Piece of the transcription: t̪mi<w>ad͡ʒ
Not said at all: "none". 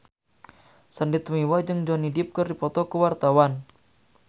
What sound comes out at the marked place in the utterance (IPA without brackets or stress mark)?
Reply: w